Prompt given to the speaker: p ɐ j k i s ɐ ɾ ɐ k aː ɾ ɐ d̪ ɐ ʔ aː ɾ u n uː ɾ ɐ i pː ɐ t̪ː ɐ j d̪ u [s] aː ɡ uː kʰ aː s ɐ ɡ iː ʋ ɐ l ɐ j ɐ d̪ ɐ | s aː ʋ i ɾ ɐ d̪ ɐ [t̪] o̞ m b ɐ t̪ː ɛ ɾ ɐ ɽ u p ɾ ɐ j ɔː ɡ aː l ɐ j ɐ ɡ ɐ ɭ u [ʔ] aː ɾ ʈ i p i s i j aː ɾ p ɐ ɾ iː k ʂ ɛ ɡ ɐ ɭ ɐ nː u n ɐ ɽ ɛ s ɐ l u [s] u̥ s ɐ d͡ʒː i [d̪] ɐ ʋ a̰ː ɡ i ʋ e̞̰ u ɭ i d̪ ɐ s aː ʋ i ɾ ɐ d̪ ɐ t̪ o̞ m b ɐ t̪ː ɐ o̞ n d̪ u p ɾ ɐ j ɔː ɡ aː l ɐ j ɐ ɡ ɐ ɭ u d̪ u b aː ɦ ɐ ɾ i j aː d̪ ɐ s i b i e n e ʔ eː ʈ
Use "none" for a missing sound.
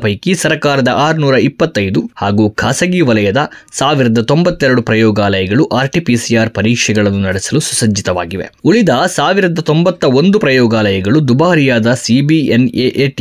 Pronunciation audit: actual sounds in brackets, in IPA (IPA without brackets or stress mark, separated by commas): h, t̪, ʔ, s, t̪